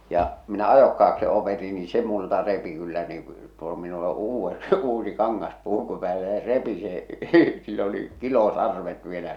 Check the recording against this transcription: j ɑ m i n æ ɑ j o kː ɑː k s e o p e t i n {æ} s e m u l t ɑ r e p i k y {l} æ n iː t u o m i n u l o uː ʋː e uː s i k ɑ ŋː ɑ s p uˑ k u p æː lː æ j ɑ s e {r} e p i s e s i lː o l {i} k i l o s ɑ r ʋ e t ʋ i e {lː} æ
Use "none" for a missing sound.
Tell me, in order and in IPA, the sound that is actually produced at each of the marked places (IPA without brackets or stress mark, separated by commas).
i, lː, r, i, l